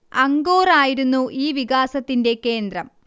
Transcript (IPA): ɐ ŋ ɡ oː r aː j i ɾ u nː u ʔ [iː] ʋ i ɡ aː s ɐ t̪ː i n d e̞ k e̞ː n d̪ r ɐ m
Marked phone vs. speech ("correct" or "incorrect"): correct